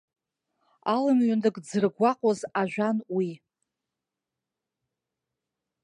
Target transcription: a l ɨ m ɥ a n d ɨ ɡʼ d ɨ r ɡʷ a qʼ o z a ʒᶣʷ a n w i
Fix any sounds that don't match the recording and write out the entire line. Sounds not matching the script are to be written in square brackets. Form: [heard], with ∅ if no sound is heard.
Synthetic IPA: a l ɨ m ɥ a n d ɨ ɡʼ [d͡z] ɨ r ɡʷ a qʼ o z a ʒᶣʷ a n w i